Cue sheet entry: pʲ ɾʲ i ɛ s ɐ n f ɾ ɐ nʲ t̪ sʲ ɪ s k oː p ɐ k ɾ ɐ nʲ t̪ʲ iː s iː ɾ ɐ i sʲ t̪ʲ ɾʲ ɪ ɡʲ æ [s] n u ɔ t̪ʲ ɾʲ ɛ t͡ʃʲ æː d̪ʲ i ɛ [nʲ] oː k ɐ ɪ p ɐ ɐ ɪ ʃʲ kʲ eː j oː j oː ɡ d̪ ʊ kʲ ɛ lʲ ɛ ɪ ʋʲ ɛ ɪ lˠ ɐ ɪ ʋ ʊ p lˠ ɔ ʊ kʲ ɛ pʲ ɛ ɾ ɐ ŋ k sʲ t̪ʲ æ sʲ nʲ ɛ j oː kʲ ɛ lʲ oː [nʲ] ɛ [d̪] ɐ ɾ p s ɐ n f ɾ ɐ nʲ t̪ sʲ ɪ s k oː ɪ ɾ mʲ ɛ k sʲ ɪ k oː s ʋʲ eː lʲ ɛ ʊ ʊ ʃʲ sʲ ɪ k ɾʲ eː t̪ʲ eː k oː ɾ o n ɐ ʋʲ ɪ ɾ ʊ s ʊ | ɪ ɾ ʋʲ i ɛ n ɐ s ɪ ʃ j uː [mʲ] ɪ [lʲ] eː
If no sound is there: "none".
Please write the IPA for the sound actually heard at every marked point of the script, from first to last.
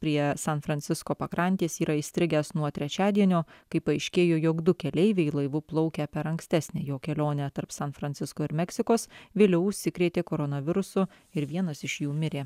s, nʲ, nʲ, t̪, mʲ, ɾʲ

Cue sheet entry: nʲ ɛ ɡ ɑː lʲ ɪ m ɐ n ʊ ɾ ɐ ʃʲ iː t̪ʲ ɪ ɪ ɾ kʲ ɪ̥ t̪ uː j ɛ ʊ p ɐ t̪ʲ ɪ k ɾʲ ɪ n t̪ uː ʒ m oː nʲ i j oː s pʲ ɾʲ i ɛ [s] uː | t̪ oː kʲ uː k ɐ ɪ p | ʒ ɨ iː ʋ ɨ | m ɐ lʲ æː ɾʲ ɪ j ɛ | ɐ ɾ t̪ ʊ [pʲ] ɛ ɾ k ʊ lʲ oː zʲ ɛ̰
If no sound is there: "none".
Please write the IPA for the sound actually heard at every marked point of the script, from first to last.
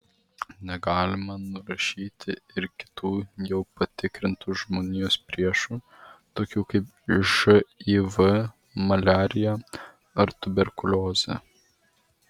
ʃ, bʲ

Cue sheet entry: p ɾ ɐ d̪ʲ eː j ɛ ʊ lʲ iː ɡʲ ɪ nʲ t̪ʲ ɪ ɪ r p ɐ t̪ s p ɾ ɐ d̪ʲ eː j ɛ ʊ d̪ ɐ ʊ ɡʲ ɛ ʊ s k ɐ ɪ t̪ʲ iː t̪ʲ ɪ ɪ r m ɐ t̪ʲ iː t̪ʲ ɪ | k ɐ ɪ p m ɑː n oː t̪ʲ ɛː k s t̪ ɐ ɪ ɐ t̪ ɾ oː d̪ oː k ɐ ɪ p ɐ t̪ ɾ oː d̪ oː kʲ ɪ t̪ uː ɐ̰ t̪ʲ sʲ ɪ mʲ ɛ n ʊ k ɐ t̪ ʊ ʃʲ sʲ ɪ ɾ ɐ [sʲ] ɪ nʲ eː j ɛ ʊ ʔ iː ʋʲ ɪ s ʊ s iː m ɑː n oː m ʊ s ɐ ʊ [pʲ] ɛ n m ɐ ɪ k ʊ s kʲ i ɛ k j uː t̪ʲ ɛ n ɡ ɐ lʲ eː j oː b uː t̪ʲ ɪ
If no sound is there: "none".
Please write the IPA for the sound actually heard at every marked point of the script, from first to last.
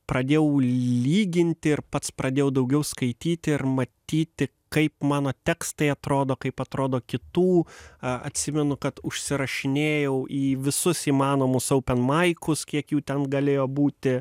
ʃʲ, pʲ

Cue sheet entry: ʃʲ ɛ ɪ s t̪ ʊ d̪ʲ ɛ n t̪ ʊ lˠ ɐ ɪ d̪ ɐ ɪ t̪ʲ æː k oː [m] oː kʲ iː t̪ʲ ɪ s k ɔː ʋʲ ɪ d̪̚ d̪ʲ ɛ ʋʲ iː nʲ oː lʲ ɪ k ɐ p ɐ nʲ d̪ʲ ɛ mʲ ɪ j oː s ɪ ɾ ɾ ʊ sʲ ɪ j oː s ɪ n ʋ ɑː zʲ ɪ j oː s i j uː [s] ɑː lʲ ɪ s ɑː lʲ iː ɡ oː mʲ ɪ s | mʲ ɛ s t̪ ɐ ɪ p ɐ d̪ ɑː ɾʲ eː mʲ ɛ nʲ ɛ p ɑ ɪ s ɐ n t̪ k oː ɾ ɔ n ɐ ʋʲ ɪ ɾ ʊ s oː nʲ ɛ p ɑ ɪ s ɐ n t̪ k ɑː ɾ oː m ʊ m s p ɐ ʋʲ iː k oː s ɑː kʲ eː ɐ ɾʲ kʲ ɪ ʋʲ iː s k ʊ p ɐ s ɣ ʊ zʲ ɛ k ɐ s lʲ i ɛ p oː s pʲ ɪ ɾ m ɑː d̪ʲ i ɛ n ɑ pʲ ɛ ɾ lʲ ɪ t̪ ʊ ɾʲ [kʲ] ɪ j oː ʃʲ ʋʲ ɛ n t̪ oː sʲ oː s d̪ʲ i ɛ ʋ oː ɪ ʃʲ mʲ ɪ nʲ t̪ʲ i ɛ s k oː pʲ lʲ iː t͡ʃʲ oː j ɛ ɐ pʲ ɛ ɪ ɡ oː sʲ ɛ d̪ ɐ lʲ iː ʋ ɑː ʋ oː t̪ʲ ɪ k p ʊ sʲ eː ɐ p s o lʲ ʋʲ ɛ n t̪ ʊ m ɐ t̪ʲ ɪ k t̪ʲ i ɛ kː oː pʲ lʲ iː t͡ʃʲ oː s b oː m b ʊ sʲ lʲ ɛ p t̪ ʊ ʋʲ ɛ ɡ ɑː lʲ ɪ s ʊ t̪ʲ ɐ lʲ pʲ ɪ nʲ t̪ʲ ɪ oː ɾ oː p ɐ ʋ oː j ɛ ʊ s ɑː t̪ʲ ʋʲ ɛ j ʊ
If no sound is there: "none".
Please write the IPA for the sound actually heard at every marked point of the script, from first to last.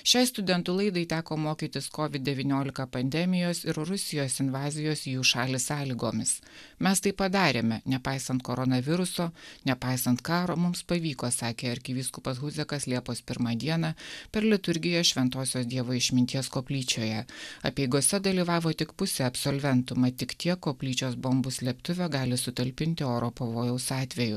m, ʃ, ɡʲ

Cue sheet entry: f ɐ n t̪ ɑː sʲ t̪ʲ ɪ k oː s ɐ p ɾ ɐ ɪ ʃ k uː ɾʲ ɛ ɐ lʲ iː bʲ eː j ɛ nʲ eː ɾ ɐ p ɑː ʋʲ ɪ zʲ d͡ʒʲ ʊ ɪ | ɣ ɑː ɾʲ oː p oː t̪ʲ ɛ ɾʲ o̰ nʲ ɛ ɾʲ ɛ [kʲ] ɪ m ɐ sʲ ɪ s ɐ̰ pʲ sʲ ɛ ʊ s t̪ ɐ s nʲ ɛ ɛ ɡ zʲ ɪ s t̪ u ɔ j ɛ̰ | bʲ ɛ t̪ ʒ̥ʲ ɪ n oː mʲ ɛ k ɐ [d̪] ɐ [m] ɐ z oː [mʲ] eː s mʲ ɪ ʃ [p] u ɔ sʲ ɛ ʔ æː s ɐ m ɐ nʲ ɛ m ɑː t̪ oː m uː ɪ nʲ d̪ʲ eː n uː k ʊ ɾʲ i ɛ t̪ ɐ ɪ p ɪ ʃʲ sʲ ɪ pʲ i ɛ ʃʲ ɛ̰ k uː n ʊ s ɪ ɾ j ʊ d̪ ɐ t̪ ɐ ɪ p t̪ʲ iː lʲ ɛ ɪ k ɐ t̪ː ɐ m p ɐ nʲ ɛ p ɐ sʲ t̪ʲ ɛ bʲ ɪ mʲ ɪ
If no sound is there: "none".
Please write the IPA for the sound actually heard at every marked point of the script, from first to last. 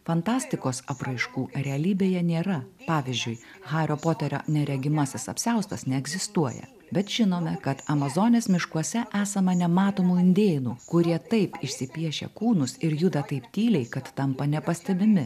ɡʲ, t̪, m, nʲ, k

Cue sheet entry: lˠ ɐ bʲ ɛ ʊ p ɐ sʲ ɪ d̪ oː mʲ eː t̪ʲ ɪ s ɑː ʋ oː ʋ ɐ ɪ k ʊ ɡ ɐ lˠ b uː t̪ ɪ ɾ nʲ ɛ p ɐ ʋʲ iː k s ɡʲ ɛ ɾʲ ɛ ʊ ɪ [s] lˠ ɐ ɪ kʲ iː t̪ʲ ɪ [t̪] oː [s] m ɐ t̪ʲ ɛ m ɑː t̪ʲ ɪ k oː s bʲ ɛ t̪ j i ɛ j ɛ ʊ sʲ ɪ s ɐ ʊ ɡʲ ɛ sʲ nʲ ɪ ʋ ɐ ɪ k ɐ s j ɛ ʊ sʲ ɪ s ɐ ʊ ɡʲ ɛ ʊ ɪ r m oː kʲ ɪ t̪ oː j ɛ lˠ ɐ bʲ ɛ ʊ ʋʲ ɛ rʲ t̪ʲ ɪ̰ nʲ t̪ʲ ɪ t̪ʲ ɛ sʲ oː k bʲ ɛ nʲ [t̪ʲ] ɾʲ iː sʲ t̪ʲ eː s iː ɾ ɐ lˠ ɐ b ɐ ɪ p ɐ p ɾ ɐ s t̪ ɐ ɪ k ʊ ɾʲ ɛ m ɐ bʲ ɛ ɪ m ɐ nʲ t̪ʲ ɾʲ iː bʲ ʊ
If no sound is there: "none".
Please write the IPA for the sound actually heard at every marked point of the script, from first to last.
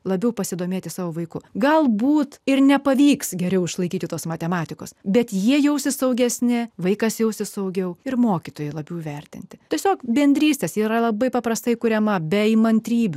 ʃ, t̪, s, d̪ʲ

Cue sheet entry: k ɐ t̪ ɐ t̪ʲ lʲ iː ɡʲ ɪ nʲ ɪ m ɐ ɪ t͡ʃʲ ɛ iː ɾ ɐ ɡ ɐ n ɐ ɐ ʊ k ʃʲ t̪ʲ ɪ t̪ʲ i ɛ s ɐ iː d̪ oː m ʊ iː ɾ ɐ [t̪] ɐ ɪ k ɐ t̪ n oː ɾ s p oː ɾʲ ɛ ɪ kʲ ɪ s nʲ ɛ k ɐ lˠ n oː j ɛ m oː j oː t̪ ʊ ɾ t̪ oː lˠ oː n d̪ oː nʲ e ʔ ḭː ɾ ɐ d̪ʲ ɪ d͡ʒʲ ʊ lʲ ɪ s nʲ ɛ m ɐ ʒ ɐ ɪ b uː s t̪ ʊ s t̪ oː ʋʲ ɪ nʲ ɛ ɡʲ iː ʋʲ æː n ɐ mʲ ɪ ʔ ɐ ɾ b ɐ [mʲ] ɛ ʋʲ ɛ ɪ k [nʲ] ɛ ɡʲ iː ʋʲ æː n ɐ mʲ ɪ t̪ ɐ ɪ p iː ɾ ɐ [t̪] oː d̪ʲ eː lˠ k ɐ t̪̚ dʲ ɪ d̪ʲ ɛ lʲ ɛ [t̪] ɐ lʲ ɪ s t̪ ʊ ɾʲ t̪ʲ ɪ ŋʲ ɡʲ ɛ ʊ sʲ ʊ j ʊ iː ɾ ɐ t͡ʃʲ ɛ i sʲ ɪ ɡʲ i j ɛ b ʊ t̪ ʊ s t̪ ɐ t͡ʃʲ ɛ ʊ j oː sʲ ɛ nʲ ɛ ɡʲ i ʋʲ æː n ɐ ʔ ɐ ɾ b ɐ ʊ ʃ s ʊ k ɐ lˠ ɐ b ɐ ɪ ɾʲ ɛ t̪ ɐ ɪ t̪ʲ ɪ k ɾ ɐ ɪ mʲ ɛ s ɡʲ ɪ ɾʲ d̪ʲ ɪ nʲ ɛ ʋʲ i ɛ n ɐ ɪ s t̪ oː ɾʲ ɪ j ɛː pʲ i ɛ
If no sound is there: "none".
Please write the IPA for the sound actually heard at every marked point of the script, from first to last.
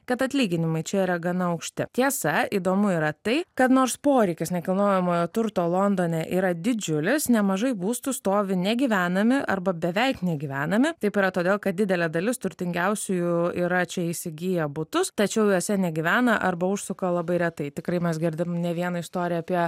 t̪, bʲ, nʲ, t̪, d̪

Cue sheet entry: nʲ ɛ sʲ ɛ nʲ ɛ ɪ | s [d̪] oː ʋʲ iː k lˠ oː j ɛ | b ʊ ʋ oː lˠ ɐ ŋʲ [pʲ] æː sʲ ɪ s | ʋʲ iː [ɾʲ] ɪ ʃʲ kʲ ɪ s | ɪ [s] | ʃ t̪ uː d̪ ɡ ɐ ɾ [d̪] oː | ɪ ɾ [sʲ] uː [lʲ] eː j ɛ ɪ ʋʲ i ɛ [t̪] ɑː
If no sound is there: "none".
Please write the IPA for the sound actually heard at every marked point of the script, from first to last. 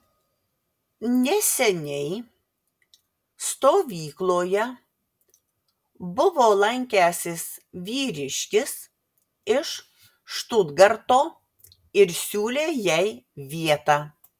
t̪, kʲ, ɾʲ, ʃ, t̪, sʲ, lʲ, t̪

